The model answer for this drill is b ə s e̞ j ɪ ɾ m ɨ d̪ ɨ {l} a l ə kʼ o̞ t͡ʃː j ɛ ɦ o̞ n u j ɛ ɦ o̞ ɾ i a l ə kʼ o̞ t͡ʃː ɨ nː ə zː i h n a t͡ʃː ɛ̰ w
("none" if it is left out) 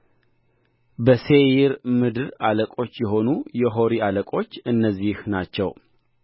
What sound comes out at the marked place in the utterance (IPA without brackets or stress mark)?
ɾ